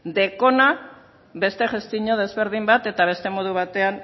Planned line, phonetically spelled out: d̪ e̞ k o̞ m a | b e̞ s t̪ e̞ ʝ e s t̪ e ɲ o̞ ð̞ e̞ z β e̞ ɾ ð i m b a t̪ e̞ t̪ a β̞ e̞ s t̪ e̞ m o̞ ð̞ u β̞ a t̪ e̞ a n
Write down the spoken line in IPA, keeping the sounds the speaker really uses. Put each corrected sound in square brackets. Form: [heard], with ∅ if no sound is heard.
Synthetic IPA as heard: d̪ e̞ k o̞ [n] a | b e̞ s t̪ e̞ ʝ e s t̪ [i] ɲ o̞ ð̞ e̞ z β e̞ ɾ ð i m b a t̪ e̞ t̪ a β̞ e̞ s t̪ e̞ m o̞ ð̞ u β̞ a t̪ e̞ a n